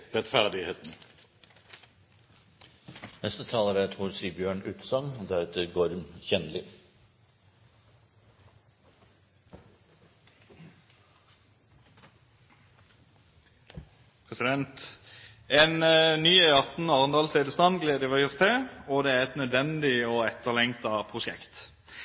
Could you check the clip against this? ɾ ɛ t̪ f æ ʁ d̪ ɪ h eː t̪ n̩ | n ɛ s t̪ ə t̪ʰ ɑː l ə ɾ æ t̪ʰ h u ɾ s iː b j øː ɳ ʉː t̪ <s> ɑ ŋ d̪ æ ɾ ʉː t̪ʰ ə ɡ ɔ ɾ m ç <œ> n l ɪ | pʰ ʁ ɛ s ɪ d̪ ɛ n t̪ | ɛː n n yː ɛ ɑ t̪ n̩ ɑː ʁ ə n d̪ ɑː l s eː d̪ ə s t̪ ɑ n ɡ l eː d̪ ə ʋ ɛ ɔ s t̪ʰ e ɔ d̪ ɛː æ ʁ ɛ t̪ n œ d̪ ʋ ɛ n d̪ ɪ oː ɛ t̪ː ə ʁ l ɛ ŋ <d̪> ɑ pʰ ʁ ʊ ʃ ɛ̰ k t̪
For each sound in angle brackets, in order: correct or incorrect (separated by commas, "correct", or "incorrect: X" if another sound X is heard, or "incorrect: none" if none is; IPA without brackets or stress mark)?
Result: correct, incorrect: ɛ, incorrect: t̪